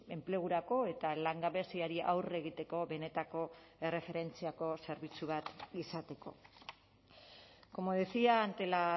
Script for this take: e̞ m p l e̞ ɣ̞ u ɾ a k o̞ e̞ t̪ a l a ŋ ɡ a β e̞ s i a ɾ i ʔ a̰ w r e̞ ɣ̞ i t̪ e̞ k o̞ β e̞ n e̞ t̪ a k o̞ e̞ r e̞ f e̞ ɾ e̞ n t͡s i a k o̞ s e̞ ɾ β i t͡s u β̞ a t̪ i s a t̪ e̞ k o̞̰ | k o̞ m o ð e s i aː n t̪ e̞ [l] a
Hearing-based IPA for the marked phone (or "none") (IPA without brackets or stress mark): l